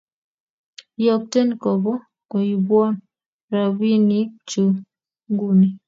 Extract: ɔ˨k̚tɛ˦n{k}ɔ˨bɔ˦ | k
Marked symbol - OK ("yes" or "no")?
yes